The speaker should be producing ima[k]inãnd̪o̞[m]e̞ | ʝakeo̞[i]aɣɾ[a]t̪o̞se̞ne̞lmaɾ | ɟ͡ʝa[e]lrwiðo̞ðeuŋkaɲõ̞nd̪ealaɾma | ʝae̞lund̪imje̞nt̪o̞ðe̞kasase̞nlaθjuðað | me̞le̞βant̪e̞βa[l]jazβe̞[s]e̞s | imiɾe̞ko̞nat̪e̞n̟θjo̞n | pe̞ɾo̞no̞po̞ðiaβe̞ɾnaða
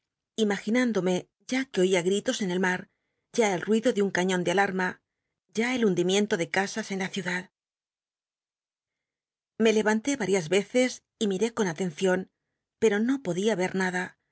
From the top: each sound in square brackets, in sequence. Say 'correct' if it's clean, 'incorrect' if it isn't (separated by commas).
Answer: incorrect, correct, correct, incorrect, correct, incorrect, incorrect